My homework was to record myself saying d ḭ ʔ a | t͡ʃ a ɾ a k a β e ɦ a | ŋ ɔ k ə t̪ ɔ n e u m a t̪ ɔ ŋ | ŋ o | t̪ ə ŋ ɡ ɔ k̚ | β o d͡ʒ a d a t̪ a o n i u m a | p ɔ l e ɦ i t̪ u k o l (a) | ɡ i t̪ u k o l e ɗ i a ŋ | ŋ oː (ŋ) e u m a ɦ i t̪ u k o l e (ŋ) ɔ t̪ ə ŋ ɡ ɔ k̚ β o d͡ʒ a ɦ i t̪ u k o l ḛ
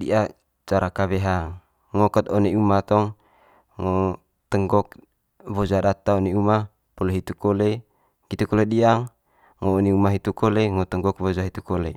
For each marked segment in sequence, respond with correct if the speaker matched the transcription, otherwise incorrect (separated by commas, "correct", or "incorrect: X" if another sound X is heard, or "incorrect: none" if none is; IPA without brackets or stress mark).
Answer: incorrect: e, incorrect: n, correct